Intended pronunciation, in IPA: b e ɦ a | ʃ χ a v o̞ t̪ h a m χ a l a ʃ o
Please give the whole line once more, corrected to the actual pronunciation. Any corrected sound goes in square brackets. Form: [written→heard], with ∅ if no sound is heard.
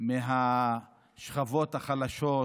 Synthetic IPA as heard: [b→m] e ɦ a | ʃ χ a v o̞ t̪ h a [m→∅] χ a l a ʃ o